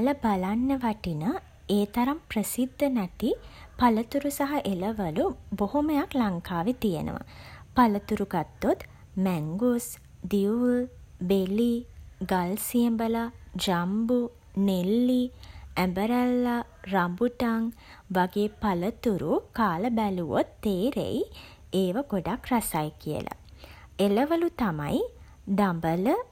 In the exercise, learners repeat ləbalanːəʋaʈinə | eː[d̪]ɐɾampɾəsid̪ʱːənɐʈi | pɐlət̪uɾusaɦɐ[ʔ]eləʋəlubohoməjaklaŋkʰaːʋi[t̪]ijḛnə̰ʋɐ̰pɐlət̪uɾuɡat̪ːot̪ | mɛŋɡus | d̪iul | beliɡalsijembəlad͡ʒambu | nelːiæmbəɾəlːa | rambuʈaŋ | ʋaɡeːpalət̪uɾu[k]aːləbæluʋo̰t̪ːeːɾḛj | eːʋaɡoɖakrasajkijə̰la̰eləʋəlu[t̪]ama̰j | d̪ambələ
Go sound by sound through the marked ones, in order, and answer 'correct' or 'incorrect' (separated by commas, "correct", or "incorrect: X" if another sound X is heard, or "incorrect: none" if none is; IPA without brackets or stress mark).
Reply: incorrect: t̪, correct, correct, correct, correct